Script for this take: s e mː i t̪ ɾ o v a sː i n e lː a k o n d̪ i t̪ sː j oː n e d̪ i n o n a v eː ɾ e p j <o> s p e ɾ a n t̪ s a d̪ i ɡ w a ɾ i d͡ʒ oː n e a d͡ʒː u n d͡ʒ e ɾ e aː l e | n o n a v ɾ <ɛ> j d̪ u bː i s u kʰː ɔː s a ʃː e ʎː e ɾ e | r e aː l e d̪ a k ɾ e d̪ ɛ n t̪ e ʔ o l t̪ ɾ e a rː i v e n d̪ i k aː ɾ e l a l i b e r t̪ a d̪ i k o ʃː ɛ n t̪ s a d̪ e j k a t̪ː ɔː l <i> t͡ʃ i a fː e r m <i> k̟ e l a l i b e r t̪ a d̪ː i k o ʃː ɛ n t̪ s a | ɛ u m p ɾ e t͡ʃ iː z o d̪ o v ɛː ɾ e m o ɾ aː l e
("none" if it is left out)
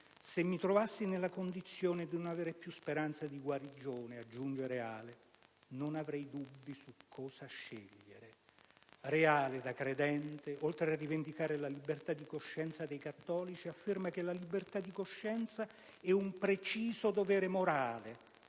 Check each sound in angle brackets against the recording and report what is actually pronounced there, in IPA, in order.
u, ɛ, i, a

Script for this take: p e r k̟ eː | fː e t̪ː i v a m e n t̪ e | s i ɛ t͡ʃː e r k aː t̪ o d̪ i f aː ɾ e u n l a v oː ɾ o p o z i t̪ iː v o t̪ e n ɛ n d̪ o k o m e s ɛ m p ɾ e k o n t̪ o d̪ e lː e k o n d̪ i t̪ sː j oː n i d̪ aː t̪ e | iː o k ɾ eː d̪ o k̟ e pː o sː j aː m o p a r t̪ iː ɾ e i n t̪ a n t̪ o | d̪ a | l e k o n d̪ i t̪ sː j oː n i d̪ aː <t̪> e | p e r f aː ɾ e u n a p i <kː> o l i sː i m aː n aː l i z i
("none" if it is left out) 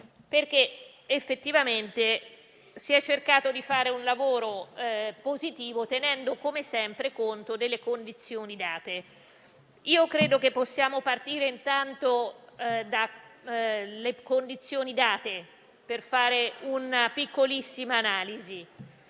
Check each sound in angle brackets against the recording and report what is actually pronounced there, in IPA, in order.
t̪, kː

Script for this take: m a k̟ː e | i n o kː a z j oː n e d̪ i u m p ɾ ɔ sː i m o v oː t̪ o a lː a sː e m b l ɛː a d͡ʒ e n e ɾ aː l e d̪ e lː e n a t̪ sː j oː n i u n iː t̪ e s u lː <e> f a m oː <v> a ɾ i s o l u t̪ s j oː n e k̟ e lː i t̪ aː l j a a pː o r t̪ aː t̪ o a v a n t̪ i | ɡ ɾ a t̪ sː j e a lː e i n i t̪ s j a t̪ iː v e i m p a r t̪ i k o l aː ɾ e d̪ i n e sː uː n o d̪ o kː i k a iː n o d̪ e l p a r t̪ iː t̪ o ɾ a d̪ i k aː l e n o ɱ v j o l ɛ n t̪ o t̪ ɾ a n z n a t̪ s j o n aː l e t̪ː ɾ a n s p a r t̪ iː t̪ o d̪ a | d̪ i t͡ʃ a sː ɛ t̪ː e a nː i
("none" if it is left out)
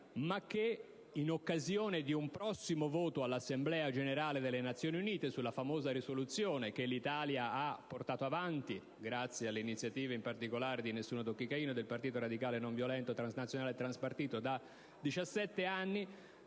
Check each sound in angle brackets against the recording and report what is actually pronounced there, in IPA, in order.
a, z

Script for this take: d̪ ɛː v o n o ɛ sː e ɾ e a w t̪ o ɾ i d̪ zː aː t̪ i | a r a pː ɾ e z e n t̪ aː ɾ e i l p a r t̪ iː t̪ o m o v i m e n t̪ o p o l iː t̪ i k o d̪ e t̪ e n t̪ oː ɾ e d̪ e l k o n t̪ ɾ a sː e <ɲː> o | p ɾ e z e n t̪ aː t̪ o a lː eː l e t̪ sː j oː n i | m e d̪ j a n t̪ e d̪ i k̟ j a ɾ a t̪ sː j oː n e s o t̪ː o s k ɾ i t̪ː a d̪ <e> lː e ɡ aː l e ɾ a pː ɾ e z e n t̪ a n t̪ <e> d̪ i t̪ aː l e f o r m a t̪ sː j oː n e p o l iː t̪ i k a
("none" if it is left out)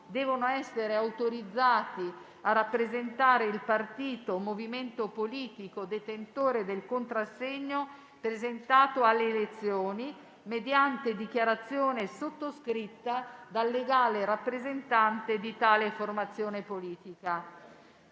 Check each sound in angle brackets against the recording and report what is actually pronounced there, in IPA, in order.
ɲː, a, e

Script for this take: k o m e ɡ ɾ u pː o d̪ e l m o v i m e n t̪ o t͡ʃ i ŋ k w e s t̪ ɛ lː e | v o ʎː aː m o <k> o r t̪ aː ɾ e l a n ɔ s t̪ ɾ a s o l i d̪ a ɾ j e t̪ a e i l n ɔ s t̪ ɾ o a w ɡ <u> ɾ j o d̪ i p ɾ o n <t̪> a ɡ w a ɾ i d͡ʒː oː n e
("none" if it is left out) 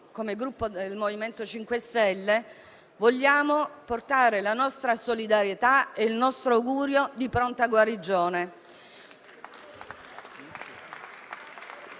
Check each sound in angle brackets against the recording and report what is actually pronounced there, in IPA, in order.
p, uː, t̪

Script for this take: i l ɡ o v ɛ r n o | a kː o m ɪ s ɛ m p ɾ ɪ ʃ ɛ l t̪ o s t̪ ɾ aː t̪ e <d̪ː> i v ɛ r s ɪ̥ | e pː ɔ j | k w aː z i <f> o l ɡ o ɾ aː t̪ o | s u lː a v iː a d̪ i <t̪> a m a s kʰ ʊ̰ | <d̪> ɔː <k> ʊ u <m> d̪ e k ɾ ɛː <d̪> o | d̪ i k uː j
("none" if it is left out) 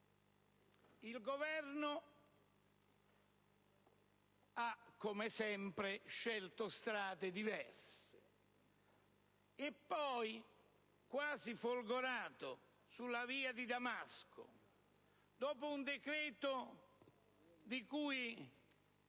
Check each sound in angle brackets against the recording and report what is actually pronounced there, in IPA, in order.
d̪, f, d̪, d̪, p, n, t̪

